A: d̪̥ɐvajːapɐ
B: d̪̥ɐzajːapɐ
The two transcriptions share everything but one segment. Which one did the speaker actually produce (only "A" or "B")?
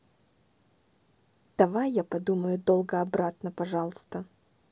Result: A